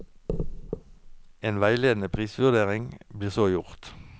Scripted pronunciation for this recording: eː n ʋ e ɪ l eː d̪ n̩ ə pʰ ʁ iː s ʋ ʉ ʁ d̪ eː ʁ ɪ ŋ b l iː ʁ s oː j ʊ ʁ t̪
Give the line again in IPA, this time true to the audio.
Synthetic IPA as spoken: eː n ʋ æ ɪ l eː d̪ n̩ ə pʰ ʁ iː s ʋ ʉ ʁ d̪ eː ʁ ɪ ŋ b l iː ʁ s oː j ʊ ʁ t̪